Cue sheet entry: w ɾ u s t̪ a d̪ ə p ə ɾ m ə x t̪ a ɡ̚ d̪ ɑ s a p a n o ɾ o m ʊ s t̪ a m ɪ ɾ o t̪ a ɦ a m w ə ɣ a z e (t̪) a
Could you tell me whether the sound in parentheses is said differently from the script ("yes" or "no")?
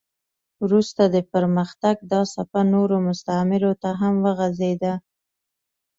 yes